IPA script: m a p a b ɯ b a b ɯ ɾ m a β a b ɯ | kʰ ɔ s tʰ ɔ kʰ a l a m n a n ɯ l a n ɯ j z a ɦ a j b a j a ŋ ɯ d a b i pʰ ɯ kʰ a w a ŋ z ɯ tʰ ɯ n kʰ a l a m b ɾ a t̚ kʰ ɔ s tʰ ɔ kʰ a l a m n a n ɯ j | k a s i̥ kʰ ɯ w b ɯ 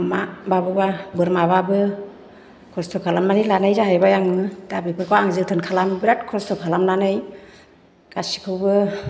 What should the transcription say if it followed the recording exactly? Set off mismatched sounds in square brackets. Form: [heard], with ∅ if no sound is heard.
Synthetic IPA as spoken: m a [b] a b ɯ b a b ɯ ɾ m a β a b ɯ | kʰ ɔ s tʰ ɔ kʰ a l a m n a n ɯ l a n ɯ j z a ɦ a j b a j a ŋ ɯ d a b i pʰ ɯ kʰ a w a ŋ z ɯ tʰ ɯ n kʰ a l a m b ɾ a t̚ kʰ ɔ s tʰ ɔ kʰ a l a m n a n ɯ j | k a s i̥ kʰ ɯ w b ɯ

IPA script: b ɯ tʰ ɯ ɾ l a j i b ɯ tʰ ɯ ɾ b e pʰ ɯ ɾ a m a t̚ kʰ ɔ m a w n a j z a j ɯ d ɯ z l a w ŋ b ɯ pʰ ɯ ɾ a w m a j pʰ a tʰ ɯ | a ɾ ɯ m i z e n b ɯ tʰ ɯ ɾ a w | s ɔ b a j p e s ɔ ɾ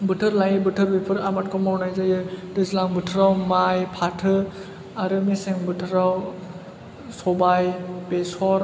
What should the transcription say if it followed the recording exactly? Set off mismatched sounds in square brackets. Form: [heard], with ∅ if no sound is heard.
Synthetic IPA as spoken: b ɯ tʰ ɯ ɾ l a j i b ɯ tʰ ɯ ɾ b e pʰ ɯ ɾ a m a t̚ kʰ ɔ m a w n a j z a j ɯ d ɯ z l a [∅] ŋ b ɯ [tʰ] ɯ ɾ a w m a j pʰ a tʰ ɯ | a ɾ ɯ m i [s] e [ŋ] b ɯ tʰ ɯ ɾ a w | s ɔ b a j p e s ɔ ɾ

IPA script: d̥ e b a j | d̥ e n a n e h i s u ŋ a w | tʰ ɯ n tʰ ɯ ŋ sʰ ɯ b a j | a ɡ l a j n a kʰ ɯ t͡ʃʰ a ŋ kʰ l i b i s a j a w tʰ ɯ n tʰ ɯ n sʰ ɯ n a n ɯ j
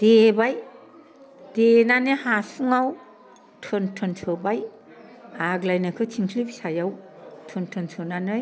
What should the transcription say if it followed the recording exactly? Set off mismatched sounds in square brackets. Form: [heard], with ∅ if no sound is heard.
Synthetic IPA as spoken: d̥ e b a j | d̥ e n a n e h [a] s u ŋ a w | tʰ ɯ n tʰ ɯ [n] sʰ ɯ b a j | a ɡ l a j n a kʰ ɯ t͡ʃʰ [i] ŋ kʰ l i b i s a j a w tʰ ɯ n tʰ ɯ n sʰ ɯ n a n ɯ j

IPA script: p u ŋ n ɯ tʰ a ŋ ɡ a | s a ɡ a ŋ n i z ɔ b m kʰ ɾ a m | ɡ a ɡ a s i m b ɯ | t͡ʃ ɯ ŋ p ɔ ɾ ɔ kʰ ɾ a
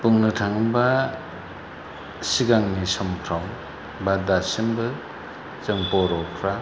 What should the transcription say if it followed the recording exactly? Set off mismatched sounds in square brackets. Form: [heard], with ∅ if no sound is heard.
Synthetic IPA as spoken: p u ŋ n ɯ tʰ a ŋ [b] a | s [i] ɡ a ŋ n i [s] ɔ [∅] m kʰ ɾ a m | [b] a [d] a s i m b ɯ | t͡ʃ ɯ ŋ p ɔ ɾ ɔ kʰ ɾ a

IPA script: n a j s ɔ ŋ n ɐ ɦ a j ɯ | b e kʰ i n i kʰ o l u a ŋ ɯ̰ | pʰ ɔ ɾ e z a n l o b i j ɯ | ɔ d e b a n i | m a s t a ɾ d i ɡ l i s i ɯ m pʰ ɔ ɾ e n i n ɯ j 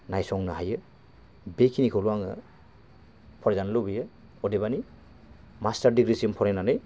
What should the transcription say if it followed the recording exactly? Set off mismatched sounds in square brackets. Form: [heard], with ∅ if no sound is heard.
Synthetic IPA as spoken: n a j s ɔ ŋ n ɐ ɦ a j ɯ | b e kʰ i n i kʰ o l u a ŋ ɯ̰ | pʰ ɔ ɾ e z a n l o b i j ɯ | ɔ d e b a n i | m a s t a ɾ d i ɡ [ɾ] i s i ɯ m pʰ ɔ ɾ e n [a] n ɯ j

